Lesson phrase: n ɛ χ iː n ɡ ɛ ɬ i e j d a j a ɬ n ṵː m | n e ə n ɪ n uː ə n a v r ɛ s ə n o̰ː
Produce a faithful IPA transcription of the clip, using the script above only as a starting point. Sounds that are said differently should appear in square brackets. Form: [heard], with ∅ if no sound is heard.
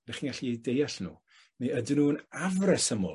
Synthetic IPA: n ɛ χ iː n ɡ [a] ɬ i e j d [e] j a ɬ n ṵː [∅] | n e ə [d] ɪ n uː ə n a v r ɛ s ə [m] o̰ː